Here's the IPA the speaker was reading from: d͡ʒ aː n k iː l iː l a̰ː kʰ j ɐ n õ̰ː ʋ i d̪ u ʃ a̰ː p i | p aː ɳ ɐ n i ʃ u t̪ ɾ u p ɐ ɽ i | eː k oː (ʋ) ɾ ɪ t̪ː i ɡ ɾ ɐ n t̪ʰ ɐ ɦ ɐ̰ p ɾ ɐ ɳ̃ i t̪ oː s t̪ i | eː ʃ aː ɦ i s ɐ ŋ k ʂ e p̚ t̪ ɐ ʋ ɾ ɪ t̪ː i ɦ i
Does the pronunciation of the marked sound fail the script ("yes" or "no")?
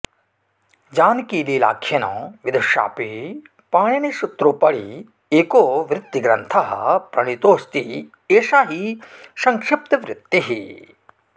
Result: no